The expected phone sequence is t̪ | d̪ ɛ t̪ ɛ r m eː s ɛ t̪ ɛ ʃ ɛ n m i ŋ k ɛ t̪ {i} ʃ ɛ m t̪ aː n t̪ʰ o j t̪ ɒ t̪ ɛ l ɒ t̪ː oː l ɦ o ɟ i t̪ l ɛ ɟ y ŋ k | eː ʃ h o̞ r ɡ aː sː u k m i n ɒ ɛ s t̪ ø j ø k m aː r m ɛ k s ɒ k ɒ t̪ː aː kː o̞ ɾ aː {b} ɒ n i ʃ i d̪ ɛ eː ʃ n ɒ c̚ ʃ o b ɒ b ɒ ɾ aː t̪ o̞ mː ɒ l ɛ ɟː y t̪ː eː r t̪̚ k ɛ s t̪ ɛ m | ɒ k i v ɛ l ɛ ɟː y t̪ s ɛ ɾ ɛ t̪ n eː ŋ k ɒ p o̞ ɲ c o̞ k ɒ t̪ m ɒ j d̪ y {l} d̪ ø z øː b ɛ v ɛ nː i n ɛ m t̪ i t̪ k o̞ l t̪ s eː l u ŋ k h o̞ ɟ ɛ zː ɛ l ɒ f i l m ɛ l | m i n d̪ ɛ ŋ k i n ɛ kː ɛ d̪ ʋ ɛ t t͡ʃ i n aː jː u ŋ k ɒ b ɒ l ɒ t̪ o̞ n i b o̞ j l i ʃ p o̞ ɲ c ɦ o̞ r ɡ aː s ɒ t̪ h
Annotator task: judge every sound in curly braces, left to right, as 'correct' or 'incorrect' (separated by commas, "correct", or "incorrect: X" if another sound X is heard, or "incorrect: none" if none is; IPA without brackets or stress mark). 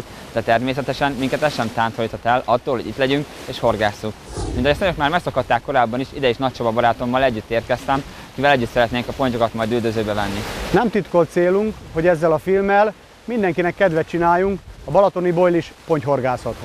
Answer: incorrect: ɛ, incorrect: bː, correct